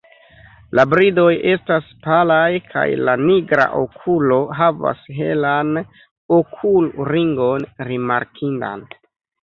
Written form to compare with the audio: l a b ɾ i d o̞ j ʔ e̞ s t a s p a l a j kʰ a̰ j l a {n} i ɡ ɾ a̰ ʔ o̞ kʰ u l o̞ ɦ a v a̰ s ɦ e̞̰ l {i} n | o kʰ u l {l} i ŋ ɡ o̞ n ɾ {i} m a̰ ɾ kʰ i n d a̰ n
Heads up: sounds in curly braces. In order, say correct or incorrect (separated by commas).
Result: correct, incorrect, incorrect, correct